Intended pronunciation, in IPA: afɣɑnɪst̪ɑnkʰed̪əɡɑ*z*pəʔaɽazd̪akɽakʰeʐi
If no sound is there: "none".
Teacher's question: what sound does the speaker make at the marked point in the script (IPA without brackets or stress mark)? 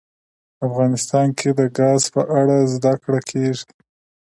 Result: z